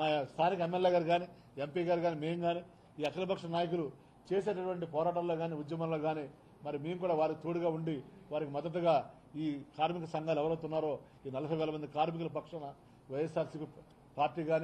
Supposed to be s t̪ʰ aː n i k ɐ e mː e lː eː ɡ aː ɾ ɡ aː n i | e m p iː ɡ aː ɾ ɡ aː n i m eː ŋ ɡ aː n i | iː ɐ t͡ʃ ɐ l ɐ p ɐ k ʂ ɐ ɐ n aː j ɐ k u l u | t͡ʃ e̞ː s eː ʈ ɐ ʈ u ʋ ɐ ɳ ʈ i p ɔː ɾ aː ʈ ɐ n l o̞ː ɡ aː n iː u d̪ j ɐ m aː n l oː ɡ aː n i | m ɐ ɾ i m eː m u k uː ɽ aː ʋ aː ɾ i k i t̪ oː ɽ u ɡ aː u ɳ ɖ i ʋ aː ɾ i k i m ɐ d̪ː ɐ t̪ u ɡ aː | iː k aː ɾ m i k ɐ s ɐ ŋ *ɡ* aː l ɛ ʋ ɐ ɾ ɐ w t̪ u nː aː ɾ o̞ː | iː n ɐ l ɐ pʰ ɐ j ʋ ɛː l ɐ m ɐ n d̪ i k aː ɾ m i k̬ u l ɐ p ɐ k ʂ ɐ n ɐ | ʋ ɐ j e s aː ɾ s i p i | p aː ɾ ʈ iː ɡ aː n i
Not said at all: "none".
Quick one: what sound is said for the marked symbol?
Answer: ɡ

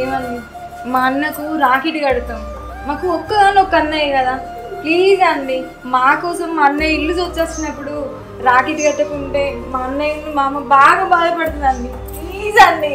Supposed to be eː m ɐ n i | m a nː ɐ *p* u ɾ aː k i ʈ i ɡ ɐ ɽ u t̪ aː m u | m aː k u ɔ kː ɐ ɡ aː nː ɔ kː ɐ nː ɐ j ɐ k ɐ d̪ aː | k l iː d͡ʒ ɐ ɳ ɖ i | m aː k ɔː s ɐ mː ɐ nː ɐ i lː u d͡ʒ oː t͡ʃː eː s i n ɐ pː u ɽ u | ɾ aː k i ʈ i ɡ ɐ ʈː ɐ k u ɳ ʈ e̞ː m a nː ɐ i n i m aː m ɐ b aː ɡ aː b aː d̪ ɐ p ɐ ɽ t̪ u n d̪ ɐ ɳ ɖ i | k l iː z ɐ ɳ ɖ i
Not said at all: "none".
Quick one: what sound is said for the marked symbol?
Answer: k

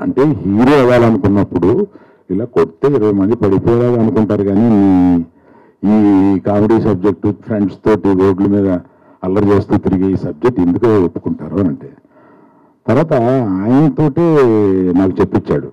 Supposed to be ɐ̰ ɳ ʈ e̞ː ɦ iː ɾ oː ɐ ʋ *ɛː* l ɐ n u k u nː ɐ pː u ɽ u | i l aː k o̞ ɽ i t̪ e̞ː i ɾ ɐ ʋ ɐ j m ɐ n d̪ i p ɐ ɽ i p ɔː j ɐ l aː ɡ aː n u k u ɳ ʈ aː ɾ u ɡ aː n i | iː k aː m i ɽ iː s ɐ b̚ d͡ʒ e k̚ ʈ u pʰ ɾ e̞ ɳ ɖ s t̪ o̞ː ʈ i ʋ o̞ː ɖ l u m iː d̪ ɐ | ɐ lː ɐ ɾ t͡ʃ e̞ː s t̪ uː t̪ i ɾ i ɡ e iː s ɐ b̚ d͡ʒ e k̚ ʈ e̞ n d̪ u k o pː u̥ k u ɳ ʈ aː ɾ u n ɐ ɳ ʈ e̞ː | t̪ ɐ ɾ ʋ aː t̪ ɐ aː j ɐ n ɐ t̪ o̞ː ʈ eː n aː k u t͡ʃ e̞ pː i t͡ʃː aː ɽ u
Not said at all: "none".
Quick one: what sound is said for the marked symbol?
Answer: aː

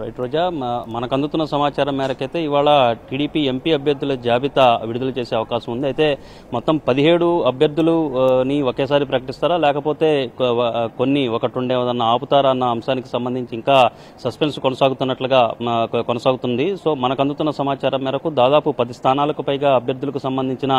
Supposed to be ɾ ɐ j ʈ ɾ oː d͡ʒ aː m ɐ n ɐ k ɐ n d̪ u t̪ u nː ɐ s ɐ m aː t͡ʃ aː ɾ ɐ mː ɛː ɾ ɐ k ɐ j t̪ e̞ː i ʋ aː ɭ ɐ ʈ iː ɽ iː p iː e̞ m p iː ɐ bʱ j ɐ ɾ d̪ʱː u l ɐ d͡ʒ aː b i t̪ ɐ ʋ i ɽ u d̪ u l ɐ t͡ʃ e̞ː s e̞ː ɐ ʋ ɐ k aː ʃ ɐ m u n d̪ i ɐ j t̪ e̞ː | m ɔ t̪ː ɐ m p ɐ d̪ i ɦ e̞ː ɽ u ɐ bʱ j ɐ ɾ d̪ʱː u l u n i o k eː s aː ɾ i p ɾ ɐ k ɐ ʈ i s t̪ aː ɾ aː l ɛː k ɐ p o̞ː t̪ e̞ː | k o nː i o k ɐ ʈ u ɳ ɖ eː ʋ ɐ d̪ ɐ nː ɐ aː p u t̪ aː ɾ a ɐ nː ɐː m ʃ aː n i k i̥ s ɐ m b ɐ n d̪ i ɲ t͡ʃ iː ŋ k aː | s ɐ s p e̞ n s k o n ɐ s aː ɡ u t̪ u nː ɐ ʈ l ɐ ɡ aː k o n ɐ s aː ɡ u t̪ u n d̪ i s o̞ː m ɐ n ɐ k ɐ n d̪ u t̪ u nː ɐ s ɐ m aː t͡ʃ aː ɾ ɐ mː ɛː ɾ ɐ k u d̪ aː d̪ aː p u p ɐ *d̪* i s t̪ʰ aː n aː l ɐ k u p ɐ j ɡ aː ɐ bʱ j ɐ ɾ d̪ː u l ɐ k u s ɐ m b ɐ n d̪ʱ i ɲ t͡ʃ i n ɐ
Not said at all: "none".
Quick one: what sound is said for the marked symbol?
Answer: d̪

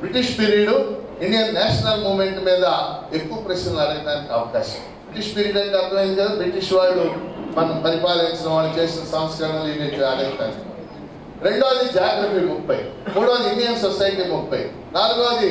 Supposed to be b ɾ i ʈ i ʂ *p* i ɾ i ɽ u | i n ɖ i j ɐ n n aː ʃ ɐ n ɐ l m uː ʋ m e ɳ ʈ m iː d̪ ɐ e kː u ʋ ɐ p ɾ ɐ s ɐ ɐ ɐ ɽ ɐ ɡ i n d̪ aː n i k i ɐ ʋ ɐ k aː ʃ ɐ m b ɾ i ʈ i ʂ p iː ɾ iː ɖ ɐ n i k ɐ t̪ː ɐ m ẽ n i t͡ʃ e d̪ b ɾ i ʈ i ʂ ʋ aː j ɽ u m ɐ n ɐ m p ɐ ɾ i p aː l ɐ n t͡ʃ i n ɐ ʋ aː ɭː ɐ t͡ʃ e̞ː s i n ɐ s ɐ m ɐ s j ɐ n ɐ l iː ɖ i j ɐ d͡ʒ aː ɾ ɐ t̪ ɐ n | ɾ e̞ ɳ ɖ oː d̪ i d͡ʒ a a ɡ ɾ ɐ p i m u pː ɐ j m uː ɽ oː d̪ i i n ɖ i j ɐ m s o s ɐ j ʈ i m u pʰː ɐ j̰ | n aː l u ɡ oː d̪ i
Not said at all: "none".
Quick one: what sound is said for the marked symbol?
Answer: p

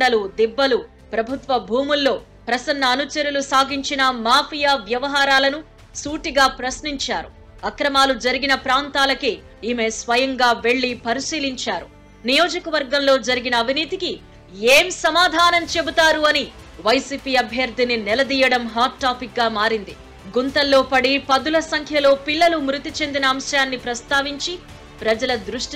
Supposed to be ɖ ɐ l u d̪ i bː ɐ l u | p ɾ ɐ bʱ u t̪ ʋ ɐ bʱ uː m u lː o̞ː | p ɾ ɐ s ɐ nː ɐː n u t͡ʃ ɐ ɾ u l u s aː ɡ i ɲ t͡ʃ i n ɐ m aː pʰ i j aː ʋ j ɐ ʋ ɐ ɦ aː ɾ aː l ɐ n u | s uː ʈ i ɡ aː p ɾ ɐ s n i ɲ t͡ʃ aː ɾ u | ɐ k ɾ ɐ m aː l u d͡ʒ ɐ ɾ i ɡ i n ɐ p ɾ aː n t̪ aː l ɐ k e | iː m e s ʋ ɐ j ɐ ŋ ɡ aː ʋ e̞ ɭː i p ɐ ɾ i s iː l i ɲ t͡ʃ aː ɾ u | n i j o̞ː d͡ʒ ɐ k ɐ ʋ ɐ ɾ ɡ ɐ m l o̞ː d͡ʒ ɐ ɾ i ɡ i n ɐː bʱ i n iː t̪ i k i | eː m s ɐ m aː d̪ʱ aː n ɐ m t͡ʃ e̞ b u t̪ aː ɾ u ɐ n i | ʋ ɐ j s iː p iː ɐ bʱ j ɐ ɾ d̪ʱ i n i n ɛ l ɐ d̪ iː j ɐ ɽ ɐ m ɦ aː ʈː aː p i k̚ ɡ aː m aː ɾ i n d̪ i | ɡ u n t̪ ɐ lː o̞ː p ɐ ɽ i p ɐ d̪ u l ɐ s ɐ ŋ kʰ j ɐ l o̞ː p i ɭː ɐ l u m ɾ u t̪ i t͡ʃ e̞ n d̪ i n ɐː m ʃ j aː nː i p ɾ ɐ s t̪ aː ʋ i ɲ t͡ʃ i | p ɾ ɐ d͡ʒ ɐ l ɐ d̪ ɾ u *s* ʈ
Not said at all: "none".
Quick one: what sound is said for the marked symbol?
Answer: ʂ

